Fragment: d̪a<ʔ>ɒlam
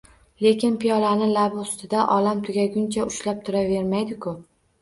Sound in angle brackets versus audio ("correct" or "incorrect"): correct